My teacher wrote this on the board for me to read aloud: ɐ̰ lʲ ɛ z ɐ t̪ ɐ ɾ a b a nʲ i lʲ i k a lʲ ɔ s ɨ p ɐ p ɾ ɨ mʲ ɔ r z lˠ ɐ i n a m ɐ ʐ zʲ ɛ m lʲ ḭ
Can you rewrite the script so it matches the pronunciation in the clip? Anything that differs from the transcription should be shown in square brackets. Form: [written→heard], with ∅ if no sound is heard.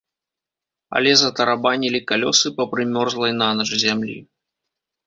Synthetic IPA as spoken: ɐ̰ lʲ ɛ z ɐ t̪ ɐ ɾ a b a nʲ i lʲ i k a lʲ ɔ s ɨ p ɐ p ɾ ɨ mʲ ɔ r z lˠ ɐ [i→j] n a [m→n] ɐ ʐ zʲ [ɛ→a] m lʲ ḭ

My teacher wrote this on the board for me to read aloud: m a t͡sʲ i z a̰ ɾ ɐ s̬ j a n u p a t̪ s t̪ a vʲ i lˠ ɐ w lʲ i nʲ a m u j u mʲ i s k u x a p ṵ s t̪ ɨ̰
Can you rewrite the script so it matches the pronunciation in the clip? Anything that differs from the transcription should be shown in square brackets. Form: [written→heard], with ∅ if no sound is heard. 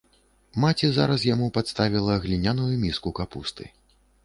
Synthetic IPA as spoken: m a t͡sʲ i z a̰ ɾ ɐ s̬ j a [n→m] u p a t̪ s t̪ a vʲ i lˠ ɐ [w→ɣ] lʲ i nʲ a [m→n] u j u mʲ i s k u [x→k] a p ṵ s t̪ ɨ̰

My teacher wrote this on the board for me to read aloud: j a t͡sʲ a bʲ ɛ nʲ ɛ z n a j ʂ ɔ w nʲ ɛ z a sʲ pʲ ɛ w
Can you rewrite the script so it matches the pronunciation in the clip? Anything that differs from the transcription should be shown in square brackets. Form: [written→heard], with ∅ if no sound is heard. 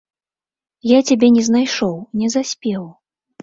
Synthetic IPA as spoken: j a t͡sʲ a bʲ ɛ nʲ ɛ z n a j ʂ ɔ w nʲ ɛ z a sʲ pʲ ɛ w

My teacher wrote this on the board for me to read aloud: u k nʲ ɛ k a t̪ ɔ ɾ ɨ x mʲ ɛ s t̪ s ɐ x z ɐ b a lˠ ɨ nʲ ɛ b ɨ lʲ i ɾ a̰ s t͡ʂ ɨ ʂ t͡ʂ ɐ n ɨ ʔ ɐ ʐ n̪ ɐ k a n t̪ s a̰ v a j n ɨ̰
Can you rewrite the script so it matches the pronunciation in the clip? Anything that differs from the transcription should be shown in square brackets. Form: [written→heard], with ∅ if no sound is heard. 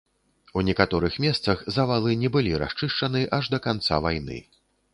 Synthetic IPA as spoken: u [k→∅] nʲ ɛ k a t̪ ɔ ɾ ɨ x mʲ ɛ s t̪ s ɐ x z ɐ [b→v] a lˠ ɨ nʲ ɛ b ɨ lʲ i ɾ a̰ s t͡ʂ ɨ ʂ t͡ʂ ɐ n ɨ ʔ ɐ ʐ [n̪→d̪] ɐ k a n t̪ s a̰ v a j n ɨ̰

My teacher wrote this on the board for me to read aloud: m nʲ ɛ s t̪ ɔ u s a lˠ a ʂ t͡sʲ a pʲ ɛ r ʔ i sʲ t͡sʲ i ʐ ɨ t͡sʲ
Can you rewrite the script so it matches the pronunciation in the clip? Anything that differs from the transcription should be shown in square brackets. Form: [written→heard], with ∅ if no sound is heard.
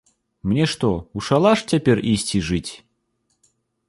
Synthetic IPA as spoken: m nʲ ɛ [s→ʂ] t̪ ɔ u [s→ʂ] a lˠ a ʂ t͡sʲ a pʲ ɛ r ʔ i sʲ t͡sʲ i ʐ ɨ t͡sʲ

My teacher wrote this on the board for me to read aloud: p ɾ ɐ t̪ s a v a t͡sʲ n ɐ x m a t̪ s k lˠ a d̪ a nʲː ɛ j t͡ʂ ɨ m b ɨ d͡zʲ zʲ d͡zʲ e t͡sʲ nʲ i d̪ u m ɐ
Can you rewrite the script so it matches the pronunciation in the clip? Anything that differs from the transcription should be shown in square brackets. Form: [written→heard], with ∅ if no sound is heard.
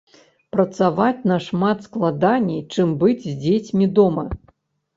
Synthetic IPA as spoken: p ɾ ɐ t̪ s a v a t͡sʲ n ɐ [x→ʂ] m a t̪ s k lˠ a d̪ a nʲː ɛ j t͡ʂ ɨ m b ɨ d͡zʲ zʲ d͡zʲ e t͡sʲ [nʲ→mʲ] i d̪ [u→ɔ] m ɐ

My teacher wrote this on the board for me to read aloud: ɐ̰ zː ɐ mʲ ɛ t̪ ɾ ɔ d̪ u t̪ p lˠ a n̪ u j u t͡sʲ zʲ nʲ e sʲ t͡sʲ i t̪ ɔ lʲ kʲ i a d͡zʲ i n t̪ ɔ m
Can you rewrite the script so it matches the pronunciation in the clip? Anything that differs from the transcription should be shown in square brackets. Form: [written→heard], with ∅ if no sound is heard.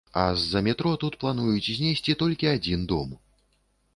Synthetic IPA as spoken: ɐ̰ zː ɐ mʲ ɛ t̪ ɾ ɔ [d̪→t̪] u t̪ p lˠ a n̪ u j u t͡sʲ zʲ nʲ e sʲ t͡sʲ i t̪ ɔ lʲ kʲ i a d͡zʲ i n [t̪→d̪] ɔ m

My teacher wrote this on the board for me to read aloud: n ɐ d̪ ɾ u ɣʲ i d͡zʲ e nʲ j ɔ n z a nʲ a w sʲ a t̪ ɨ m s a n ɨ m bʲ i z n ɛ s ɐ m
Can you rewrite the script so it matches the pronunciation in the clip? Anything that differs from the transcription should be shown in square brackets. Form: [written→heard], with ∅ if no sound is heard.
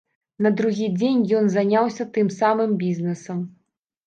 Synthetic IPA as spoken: n ɐ d̪ ɾ u ɣʲ i d͡zʲ e nʲ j ɔ n z a nʲ a w sʲ [a→ɐ] t̪ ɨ m s a [n→m] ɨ m bʲ i z n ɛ s ɐ m

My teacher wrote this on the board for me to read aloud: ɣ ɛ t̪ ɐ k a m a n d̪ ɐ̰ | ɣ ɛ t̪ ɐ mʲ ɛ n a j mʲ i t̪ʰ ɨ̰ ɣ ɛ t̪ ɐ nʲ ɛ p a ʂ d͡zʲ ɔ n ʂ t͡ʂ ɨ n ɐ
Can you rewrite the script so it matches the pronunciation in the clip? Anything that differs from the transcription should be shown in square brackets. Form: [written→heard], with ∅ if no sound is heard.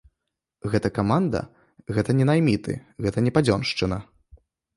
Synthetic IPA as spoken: ɣ ɛ t̪ ɐ k a m a n d̪ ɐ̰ | ɣ ɛ t̪ ɐ [mʲ→nʲ] ɛ n a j mʲ i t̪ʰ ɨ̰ ɣ ɛ t̪ ɐ nʲ ɛ p a [ʂ→∅] d͡zʲ ɔ n ʂ t͡ʂ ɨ n ɐ

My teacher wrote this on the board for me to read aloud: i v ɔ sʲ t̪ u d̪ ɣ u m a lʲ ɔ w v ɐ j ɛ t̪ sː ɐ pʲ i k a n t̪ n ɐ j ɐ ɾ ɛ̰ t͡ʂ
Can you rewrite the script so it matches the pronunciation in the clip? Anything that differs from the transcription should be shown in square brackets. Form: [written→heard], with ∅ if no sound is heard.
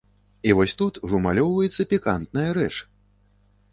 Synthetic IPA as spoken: i v ɔ sʲ t̪ u [d̪→t̪] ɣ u m a lʲ ɔ w v ɐ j ɛ t̪ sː ɐ pʲ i k a n t̪ n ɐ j ɐ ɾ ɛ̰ t͡ʂ

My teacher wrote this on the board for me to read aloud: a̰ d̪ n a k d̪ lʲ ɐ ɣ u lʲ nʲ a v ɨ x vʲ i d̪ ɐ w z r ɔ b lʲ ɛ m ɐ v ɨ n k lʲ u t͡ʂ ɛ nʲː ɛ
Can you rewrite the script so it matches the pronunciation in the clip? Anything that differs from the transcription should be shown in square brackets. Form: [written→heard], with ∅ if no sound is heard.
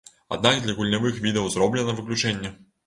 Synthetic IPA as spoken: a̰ d̪ n a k d̪ lʲ ɐ ɣ u lʲ nʲ a v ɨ x vʲ i d̪ ɐ w z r ɔ b lʲ ɛ [m→n] ɐ v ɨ [n→∅] k lʲ u t͡ʂ ɛ nʲː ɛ

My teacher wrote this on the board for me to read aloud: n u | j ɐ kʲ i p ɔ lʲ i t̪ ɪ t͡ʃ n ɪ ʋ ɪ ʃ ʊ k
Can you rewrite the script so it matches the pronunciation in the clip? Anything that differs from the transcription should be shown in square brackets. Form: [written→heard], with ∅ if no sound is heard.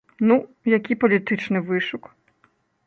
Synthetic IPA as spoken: n u | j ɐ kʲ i p ɔ lʲ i t̪ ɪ t͡ʃ n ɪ ʋ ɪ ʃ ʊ k

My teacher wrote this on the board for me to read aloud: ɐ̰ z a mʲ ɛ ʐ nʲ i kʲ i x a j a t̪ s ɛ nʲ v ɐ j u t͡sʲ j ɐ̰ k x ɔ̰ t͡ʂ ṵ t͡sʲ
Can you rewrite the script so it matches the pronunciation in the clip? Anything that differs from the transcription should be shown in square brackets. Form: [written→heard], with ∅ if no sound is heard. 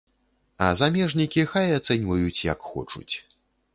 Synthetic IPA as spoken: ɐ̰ z a mʲ ɛ ʐ nʲ i kʲ i x a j a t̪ s ɛ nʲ v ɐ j u t͡sʲ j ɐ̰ k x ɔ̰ t͡ʂ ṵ t͡sʲ

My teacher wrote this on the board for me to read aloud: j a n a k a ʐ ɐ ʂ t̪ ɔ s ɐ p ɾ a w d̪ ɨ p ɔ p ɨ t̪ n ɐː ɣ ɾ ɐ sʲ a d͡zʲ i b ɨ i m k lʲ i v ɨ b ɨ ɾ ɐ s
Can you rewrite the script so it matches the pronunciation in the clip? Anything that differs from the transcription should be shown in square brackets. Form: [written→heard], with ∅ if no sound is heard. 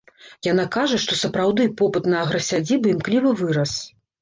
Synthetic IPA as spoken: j a n a k a ʐ ɐ ʂ t̪ ɔ s ɐ p ɾ a w d̪ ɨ p ɔ p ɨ t̪ n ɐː ɣ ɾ ɐ sʲ a d͡zʲ i b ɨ i m k lʲ i v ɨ [b→v] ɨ ɾ ɐ s

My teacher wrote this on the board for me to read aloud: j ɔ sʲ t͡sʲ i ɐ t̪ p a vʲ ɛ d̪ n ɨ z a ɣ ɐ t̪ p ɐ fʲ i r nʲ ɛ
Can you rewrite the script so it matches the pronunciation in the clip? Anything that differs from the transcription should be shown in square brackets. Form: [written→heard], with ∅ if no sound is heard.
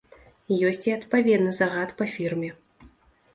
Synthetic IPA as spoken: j ɔ sʲ t͡sʲ i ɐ t̪ p a vʲ ɛ d̪ n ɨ z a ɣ [ɐ→a] t̪ p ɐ fʲ i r [nʲ→mʲ] ɛ

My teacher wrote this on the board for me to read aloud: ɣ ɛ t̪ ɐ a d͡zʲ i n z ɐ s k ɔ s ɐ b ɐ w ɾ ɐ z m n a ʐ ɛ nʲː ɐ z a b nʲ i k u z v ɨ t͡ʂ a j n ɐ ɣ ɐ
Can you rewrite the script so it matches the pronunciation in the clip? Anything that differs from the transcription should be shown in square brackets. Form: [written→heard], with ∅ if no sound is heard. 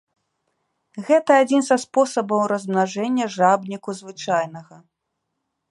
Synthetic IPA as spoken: ɣ ɛ t̪ ɐ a d͡zʲ i n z ɐ s [k→p] ɔ s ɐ b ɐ w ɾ ɐ z m n a ʐ ɛ nʲː ɐ [z→ʐ] a b nʲ i k u z v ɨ t͡ʂ a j n ɐ ɣ ɐ

